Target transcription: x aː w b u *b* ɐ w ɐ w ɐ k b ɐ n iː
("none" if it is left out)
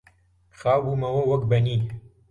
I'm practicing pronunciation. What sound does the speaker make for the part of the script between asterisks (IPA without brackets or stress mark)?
m